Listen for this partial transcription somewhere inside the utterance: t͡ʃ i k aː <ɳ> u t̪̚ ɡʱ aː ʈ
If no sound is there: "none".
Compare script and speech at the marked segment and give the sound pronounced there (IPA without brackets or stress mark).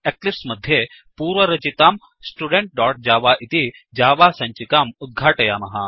m